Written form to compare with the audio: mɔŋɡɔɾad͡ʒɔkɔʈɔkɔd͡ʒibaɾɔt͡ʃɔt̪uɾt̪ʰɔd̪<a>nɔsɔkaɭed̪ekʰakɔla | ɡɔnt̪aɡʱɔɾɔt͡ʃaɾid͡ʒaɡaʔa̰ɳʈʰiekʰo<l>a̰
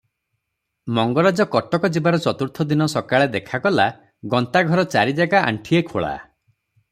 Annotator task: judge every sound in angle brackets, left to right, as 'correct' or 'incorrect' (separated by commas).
incorrect, incorrect